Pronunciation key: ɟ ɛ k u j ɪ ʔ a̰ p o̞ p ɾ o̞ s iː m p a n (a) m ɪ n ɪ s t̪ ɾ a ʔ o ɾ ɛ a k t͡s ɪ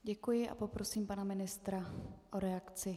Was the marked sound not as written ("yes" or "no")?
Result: no